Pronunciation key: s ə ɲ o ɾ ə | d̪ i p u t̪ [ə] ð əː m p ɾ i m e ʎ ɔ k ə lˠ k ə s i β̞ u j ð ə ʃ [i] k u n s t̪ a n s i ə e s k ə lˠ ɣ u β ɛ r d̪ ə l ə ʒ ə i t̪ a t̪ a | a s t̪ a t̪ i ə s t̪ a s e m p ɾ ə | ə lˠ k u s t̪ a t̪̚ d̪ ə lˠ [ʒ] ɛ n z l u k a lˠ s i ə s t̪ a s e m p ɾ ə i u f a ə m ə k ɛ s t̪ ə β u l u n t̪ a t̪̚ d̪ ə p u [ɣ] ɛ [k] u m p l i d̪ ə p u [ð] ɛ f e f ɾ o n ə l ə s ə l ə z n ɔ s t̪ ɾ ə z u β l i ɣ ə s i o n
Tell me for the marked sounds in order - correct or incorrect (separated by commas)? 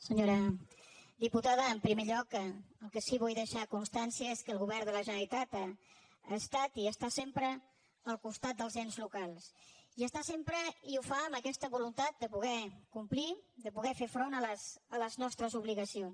incorrect, incorrect, incorrect, correct, correct, incorrect